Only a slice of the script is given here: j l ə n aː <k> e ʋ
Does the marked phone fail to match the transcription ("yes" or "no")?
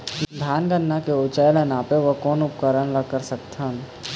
yes